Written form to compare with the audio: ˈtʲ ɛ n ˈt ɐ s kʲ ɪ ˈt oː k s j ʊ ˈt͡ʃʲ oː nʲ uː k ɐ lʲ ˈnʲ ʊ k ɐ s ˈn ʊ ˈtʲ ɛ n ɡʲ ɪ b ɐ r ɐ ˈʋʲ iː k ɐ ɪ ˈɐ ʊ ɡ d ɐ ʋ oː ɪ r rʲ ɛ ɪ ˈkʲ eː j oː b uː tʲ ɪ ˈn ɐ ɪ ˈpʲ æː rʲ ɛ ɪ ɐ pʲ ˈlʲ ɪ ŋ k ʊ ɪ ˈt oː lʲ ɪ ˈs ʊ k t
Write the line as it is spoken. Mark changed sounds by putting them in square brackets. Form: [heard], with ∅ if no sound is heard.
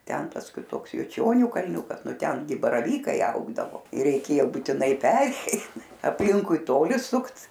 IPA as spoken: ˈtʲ ɛ n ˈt ɐ s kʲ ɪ ˈt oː k s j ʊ ˈt͡ʃʲ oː nʲ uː k ɐ lʲ ˈnʲ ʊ k ɐ s ˈn ʊ ˈtʲ ɛ n ɡʲ ɪ b ɐ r ɐ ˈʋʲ iː k ɐ ɪ ˈɐ ʊ ɡ d ɐ ʋ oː ɪ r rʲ ɛ ɪ ˈkʲ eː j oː b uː tʲ ɪ ˈn ɐ ɪ ˈpʲ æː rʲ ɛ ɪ ɐ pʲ ˈlʲ ɪ ŋ k ʊ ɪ ˈt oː lʲ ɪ ˈs ʊ k t